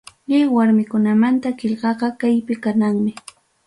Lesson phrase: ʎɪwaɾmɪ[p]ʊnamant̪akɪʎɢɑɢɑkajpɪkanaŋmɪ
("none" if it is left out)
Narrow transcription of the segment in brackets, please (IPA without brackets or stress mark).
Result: k